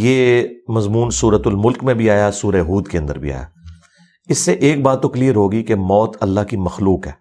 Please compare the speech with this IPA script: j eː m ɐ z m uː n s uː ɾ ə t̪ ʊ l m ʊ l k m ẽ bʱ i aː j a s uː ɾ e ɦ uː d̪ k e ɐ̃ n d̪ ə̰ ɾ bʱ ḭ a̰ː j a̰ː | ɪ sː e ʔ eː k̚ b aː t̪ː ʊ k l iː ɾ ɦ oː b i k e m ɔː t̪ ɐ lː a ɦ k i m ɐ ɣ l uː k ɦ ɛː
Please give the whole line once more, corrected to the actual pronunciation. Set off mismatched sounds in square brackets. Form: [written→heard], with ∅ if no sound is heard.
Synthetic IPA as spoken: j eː m ɐ z m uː n s uː ɾ ə t̪ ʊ l m ʊ l k m ẽ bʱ i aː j a s uː ɾ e ɦ uː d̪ k e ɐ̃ n d̪ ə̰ ɾ bʱ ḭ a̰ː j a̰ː | ɪ sː e ʔ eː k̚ b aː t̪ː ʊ k l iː ɾ ɦ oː [b→ɡ] i k e m ɔː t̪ ɐ lː a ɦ k i m ɐ [ɣ→x] l uː k ɦ ɛː